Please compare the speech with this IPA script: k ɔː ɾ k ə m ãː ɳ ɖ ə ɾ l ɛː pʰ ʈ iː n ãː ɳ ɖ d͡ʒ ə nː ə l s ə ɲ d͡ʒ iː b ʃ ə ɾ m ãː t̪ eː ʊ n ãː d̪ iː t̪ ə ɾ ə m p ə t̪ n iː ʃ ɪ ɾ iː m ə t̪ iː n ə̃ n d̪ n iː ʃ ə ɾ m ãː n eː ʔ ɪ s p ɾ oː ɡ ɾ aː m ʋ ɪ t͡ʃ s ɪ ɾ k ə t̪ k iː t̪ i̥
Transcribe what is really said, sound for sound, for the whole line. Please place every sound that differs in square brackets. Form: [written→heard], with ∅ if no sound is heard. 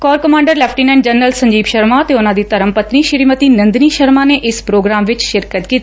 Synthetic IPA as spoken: k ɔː ɾ k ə m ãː ɳ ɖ ə ɾ l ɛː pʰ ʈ iː n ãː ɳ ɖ d͡ʒ ə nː ə l s ə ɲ d͡ʒ iː b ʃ ə ɾ m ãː t̪ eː ʊ n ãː d̪ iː t̪ ə ɾ ə m p ə t̪ n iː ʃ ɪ ɾ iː m ə t̪ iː n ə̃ n d̪ n iː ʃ ə ɾ m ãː n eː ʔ ɪ s p ɾ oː ɡ ɾ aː m ʋ ɪ t͡ʃ [s→ʃ] ɪ ɾ k ə t̪ k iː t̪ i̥